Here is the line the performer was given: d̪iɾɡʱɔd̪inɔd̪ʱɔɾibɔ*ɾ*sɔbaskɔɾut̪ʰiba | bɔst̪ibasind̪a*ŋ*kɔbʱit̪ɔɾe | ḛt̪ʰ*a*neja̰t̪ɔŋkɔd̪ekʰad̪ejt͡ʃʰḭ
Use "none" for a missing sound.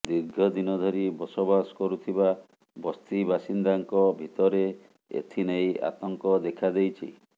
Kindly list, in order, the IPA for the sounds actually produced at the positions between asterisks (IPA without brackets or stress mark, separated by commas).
none, ŋ, i